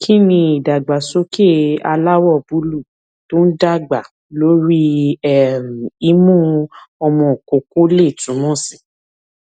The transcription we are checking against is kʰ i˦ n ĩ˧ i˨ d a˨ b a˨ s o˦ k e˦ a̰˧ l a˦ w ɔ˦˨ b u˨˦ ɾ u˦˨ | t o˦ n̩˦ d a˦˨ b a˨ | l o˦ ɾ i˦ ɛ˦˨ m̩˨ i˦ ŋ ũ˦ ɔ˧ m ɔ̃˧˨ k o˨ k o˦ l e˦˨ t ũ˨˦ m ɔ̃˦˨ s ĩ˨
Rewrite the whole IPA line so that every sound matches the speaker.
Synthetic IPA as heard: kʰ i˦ n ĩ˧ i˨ d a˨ ɡ͡b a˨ s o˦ k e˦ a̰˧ l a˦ w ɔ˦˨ b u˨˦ l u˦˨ | t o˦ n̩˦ d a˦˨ ɡ͡b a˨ | l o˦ ɾ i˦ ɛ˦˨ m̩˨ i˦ m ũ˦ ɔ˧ m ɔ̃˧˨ k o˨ k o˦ l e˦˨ t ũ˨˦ m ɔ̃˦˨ s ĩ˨